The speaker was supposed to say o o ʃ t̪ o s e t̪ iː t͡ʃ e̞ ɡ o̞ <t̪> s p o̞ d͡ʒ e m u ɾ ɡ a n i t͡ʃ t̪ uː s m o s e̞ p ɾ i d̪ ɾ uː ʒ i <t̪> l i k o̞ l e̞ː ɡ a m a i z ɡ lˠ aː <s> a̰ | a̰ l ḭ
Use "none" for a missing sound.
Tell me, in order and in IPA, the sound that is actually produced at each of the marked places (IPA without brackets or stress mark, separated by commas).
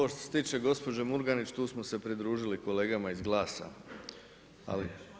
none, none, s